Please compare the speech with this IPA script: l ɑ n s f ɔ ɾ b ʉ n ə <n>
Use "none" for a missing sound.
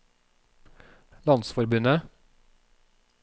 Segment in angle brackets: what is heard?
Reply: none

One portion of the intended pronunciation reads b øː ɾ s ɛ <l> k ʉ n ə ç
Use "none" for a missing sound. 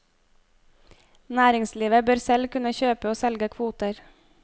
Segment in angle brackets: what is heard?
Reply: l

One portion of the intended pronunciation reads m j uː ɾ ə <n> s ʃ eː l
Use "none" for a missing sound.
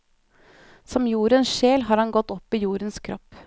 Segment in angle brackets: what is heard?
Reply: n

